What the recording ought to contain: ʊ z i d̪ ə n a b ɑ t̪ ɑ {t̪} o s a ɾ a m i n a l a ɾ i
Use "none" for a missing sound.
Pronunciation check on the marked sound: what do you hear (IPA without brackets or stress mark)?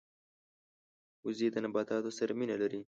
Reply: t̪